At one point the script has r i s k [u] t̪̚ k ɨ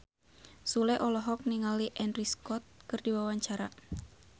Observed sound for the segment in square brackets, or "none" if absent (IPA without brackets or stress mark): ɔ